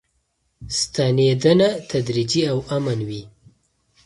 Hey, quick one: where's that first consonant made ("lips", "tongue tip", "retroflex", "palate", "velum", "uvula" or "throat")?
tongue tip